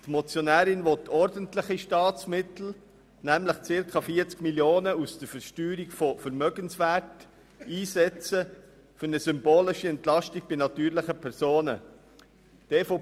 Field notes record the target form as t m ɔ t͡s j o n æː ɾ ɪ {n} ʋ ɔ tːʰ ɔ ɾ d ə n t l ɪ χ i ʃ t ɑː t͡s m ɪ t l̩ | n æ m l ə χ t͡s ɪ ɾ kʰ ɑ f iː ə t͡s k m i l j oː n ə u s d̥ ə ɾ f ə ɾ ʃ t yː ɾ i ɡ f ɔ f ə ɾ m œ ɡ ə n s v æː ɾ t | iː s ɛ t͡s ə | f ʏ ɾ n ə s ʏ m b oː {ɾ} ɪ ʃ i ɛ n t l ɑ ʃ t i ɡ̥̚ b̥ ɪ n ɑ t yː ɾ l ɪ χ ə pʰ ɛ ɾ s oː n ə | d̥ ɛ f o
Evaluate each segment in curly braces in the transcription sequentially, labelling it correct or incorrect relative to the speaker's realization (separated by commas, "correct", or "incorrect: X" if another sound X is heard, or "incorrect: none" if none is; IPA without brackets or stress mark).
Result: correct, incorrect: l